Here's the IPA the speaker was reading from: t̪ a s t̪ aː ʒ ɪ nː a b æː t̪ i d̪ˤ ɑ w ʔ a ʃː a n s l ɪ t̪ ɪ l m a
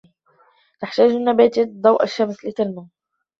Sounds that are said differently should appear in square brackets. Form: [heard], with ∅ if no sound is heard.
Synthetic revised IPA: t̪ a [ħ] t̪ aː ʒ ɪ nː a b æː t̪ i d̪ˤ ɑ w ʔ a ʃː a [m] s l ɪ t̪ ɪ l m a